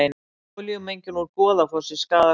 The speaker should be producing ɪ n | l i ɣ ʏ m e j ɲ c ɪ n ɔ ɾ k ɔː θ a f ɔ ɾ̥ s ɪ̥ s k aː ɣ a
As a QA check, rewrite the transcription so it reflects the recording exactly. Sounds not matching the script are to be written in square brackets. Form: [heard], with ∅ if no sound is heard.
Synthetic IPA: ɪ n | l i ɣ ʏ m e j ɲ c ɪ n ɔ ɾ k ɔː [ð] a f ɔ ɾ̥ s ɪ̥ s k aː [ð] a

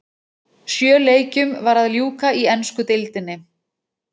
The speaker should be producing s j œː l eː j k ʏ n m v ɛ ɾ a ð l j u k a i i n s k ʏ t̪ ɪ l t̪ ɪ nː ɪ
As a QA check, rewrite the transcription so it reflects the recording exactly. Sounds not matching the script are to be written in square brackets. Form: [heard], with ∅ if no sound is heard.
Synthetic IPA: s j œː l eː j [c] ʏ [∅] m v [a] ɾ a ð l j [uː] k a i [ɛ] n s k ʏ t̪ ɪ l t̪ ɪ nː ɪ

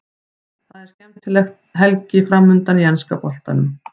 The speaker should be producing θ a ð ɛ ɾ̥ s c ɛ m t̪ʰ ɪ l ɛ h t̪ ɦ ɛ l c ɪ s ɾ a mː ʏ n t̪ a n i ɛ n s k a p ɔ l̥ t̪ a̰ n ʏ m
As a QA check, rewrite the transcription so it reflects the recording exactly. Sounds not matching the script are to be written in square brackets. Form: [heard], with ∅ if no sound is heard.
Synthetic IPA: θ a ð ɛ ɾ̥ s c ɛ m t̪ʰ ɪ l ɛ [x] t̪ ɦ ɛ l c ɪ [f] ɾ a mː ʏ n t̪ a n i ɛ n s k a p ɔ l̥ t̪ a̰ n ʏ m

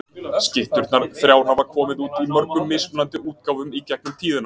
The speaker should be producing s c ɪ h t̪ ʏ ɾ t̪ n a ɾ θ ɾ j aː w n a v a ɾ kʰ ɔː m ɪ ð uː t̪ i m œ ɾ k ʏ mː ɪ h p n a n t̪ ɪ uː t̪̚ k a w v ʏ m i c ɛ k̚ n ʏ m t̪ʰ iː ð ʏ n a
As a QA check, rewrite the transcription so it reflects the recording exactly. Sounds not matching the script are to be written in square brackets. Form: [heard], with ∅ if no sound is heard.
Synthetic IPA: s c ɪ h t̪ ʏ ɾ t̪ n a ɾ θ ɾ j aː w n a v a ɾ kʰ ɔː m ɪ ð uː t̪ i m œ ɾ k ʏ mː ɪ [s] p n a n t̪ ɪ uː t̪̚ k a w v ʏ m i c ɛ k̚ n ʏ m t̪ʰ iː ð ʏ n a

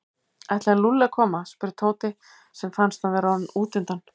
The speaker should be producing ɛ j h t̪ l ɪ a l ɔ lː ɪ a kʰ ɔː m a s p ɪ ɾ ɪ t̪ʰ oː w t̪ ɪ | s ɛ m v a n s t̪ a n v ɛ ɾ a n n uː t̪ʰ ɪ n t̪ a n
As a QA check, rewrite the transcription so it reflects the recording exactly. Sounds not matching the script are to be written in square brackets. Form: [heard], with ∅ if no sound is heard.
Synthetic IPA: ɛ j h t̪ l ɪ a l [u] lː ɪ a kʰ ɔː m a s p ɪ ɾ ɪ t̪ʰ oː w t̪ ɪ | s ɛ m [f] a n s t̪ a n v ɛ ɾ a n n uː [t̪] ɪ n t̪ a n

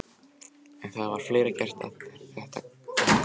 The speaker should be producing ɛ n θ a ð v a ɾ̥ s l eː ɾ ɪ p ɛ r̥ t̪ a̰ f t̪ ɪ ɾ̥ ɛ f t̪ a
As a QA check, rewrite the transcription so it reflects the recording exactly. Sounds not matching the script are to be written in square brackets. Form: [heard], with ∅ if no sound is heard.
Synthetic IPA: ɛ n θ a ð v a ɾ̥ [f] l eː ɾ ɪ [c] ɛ r̥ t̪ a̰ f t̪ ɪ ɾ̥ ɛ [h] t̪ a

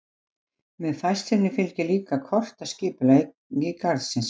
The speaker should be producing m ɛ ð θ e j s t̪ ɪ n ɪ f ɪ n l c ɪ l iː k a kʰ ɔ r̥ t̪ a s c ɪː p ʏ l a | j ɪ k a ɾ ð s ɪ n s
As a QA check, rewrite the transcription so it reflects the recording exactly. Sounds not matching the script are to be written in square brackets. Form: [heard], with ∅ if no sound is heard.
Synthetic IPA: m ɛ ð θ [a] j s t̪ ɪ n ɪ f ɪ [∅] l c ɪ l iː k a kʰ ɔ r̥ t̪ a s c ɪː p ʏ l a | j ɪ k a ɾ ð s ɪ n s

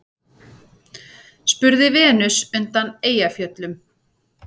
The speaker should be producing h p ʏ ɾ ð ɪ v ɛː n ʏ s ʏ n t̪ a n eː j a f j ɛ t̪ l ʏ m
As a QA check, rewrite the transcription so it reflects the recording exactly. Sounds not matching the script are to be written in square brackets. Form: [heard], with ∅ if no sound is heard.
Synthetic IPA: [s] p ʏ ɾ ð ɪ v ɛː n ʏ s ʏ n t̪ a n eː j a f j [œ] t̪ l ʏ m

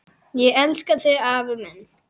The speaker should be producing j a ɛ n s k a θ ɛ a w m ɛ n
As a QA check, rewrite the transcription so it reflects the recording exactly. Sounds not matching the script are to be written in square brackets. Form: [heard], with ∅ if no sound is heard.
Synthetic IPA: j [ɛ] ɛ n s k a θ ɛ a [v] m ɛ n

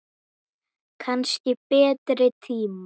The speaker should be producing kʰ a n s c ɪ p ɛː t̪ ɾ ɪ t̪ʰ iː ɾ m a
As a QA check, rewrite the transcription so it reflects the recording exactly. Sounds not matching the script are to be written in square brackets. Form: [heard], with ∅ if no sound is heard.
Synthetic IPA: kʰ a n s c ɪ p ɛː t̪ ɾ ɪ t̪ʰ iː [∅] m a

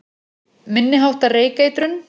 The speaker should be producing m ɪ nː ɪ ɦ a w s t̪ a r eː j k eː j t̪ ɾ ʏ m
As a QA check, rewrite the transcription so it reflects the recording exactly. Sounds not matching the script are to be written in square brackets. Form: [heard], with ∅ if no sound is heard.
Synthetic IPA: m ɪ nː ɪ ɦ a w [h] t̪ a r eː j k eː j t̪ ɾ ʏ [n]

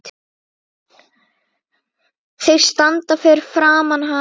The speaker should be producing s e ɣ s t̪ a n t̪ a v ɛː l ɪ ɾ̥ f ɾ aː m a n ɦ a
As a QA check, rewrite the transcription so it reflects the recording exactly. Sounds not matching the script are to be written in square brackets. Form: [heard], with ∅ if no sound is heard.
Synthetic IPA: [θ] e ɣ s t̪ a n t̪ a [f] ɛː [ɾ] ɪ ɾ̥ f ɾ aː m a n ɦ a

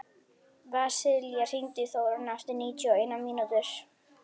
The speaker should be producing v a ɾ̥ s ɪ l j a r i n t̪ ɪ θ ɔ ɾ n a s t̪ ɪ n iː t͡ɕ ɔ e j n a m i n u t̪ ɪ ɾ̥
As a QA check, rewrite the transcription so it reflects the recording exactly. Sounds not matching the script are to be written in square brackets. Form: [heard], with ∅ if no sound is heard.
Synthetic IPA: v a [∅] s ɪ l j a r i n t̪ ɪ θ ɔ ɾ n a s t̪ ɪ n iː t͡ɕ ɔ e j n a m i n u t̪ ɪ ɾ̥

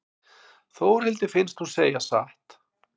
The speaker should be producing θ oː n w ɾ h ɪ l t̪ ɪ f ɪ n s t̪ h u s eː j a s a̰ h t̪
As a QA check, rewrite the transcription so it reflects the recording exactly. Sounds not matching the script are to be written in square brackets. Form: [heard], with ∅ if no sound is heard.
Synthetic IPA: θ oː [∅] w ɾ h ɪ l t̪ ɪ f ɪ n s t̪ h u s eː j a s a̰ h t̪

